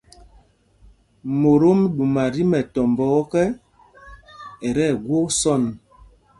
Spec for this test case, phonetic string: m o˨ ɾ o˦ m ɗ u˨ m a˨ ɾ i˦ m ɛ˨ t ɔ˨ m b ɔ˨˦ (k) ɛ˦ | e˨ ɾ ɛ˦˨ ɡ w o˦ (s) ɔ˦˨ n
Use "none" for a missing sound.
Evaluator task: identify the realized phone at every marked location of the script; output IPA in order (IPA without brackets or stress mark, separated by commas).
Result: k, s